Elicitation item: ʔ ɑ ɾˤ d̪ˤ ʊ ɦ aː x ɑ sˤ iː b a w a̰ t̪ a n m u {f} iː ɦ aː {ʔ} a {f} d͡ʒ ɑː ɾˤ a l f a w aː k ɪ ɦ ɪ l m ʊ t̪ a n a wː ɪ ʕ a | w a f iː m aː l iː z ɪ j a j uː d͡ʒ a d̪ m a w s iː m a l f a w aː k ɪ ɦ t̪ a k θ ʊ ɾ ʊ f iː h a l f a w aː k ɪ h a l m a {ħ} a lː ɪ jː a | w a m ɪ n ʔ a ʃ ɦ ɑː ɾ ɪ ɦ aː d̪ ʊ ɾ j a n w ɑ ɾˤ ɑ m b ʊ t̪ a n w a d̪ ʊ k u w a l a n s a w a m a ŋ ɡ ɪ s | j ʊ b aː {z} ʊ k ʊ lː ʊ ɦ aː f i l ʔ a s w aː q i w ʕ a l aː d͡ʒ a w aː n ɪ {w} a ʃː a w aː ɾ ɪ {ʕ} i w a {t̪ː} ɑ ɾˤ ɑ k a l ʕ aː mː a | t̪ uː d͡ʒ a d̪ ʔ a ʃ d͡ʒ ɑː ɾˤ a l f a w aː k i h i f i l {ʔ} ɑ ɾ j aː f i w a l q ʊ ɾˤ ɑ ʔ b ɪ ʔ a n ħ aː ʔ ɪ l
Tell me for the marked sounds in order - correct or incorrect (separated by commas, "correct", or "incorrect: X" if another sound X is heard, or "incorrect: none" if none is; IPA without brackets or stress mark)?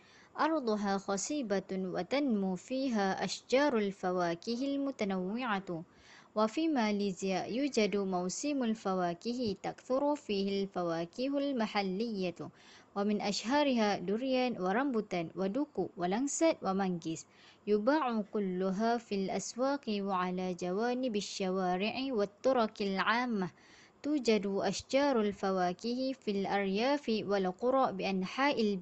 correct, correct, incorrect: ʃ, correct, incorrect: ʕ, incorrect: b, correct, correct, correct